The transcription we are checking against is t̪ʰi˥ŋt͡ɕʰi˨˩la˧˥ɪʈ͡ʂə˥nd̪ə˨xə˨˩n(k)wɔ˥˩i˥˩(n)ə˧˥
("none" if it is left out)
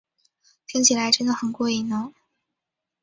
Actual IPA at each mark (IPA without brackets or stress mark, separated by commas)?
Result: k, n